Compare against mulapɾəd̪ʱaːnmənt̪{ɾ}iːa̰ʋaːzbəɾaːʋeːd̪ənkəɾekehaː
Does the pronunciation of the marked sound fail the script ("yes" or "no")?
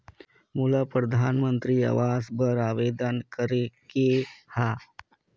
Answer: no